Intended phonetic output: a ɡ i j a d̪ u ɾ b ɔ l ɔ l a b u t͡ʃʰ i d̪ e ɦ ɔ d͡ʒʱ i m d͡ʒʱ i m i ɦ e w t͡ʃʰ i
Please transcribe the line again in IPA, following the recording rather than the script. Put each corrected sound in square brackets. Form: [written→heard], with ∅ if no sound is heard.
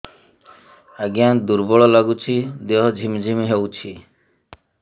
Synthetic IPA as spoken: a ɡ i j a d̪ u ɾ b ɔ [l→ɭ] ɔ l a [b→ɡ] u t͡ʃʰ i d̪ e ɦ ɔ d͡ʒʱ i m d͡ʒʱ i m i ɦ e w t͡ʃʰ i